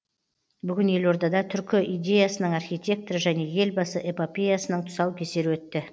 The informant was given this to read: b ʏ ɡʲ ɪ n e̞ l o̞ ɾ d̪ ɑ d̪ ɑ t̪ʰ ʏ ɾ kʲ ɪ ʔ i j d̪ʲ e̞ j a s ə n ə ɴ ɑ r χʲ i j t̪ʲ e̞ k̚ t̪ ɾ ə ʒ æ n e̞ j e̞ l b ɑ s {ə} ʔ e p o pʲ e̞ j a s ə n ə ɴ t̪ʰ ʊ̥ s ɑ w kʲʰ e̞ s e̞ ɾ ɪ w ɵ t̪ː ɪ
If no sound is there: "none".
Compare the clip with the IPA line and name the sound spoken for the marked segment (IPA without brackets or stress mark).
ə